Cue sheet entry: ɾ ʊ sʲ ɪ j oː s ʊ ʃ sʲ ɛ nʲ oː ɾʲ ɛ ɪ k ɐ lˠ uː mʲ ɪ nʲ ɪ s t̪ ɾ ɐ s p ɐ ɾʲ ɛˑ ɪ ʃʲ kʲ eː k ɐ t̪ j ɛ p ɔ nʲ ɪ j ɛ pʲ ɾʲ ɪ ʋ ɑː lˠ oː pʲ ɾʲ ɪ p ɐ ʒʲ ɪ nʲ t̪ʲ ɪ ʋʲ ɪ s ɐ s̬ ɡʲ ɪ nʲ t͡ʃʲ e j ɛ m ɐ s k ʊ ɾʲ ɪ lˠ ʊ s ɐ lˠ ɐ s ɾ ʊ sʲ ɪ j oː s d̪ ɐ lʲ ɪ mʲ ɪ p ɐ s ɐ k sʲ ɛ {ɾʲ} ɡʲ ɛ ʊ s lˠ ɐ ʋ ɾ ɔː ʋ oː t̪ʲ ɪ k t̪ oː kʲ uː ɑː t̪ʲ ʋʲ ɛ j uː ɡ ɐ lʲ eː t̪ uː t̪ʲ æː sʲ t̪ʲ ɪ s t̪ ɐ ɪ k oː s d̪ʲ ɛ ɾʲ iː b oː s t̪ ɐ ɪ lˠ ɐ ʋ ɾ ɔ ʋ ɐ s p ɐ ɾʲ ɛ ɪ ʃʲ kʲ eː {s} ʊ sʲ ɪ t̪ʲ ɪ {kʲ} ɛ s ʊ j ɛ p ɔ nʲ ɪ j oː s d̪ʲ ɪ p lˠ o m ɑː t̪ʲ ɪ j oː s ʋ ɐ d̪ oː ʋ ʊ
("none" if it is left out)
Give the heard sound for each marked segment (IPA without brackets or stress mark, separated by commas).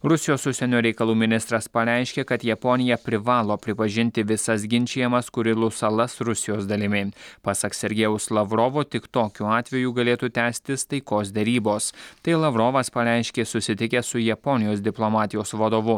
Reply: ɾʲ, s, kʲ